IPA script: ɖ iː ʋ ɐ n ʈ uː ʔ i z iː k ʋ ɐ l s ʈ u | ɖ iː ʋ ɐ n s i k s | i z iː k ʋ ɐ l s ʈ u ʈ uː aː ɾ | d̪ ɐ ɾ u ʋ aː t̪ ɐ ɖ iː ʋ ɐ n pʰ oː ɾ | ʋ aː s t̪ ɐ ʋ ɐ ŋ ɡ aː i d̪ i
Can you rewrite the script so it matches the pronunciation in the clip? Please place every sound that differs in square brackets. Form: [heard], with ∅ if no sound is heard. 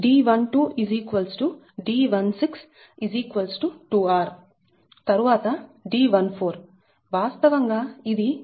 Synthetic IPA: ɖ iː ʋ ɐ n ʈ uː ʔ i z iː k ʋ ɐ l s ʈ u | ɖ iː ʋ ɐ n s i k s | i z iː k ʋ ɐ l s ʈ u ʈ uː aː ɾ | [t̪] ɐ ɾ u ʋ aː t̪ ɐ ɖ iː ʋ ɐ n pʰ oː ɾ | ʋ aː s t̪ ɐ ʋ ɐ ŋ ɡ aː i d̪ i